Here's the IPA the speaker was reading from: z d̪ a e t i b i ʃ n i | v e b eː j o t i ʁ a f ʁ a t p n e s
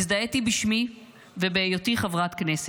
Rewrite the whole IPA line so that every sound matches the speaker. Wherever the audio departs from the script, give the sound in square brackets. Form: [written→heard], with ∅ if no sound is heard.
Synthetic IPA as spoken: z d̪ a e t i b i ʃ [n→m] i | v e b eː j o t i [ʁ→χ] a [f→v] ʁ a t [p→k] n e s